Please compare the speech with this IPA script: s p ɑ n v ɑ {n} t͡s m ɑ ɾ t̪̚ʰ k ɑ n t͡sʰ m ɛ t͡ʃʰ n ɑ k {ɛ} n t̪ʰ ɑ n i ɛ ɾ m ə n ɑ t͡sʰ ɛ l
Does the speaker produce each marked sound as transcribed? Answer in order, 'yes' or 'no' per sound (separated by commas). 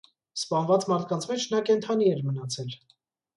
no, yes